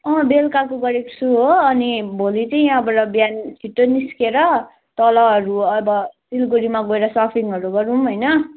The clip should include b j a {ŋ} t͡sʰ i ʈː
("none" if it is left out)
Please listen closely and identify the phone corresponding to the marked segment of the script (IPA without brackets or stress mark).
n